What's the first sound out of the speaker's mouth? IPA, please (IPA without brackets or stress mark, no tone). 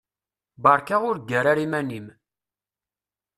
b